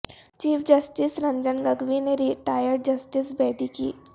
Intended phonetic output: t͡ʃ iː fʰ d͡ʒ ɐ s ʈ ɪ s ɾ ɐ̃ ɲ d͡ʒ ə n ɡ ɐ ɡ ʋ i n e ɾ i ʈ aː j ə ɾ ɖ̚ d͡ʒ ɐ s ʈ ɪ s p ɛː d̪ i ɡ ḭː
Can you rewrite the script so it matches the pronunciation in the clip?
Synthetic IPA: t͡ʃ iː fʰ d͡ʒ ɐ s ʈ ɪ s ɾ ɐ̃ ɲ d͡ʒ ə n ɡ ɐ ɡ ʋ i n e ɾ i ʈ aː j ə ɾ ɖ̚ d͡ʒ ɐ s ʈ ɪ s b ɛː d̪ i k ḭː